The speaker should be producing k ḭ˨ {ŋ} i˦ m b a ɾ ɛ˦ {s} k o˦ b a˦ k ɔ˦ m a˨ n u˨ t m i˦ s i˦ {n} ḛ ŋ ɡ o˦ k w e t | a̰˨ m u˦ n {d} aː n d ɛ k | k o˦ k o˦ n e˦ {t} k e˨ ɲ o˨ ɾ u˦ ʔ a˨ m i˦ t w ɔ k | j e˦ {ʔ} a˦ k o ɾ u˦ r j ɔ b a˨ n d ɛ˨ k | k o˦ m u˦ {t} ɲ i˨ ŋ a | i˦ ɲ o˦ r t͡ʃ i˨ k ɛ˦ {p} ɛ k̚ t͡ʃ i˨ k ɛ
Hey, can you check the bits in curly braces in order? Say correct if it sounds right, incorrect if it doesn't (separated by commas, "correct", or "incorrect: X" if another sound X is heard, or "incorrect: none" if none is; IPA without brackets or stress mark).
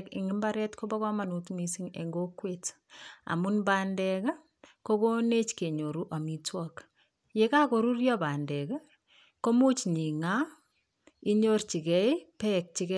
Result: correct, incorrect: t, incorrect: ŋ, incorrect: b, incorrect: t͡ʃ, incorrect: k, incorrect: t͡ʃ, correct